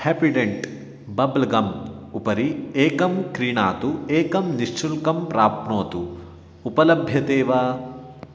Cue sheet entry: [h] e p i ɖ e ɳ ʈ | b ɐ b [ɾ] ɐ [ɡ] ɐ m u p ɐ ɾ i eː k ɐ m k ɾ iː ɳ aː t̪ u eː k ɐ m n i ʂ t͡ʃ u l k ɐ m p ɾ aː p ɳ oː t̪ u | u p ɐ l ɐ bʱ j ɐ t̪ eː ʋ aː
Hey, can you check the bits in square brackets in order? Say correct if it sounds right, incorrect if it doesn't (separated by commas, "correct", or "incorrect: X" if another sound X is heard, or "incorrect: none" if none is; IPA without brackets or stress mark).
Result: correct, incorrect: l, correct